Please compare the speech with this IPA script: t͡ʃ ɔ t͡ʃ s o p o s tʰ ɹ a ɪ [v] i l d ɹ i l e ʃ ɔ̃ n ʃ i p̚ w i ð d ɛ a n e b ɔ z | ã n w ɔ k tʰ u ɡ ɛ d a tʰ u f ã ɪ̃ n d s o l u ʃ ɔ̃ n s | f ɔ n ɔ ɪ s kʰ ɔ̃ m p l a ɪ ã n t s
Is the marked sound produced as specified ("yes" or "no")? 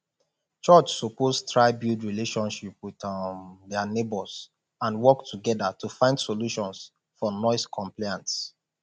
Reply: no